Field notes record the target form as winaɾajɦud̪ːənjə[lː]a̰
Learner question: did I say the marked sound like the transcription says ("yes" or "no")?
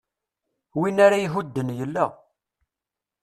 yes